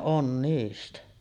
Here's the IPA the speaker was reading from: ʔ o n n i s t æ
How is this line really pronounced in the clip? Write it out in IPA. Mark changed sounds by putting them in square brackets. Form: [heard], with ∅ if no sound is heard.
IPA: ʔ o n n [iː] s t æ